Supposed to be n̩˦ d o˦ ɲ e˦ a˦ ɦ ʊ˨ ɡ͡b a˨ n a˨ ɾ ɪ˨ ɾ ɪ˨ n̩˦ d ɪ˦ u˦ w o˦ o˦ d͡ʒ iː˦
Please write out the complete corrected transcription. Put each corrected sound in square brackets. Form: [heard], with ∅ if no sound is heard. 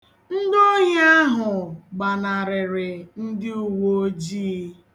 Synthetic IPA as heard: n̩˦ d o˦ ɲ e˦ a˦ ɦ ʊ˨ ɡ͡b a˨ n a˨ ɾ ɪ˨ ɾ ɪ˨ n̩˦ d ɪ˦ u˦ w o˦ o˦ d͡ʒ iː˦